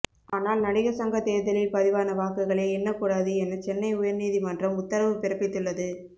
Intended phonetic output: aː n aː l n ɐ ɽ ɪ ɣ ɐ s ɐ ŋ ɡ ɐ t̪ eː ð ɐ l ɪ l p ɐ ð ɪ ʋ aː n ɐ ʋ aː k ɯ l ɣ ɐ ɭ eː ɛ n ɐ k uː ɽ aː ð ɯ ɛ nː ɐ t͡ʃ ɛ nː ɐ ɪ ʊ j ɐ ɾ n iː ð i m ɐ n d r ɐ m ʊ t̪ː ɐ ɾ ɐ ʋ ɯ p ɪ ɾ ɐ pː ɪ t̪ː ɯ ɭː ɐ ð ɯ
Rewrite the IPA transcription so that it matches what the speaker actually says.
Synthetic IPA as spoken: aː n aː l n ɐ ɽ ɪ ɣ ɐ s ɐ ŋ ɡ ɐ t̪ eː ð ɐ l ɪ l p ɐ ð ɪ ʋ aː n ɐ ʋ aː k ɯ ɣ ɐ ɭ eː ɛ nː ɐ k uː ɽ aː ð ɯ ɛ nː ɐ t͡ʃ ɛ nː ɐ ɪ ʊ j ɐ ɾ n iː ð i m ɐ n d r ɐ m ʊ t̪ː ɐ ɾ ɐ ʋ ɯ p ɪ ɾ ɐ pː ɪ t̪ː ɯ ɭː ɐ ð ɯ